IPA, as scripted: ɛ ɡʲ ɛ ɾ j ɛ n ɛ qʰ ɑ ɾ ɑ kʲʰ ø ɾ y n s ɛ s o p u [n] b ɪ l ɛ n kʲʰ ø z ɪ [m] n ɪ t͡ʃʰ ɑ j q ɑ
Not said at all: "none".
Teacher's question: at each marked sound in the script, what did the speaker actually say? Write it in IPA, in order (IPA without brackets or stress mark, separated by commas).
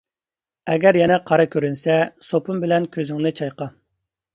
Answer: m, ŋ